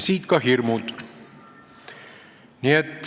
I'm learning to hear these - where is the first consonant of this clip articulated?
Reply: tongue tip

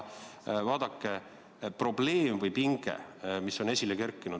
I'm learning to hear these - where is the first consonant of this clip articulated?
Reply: lips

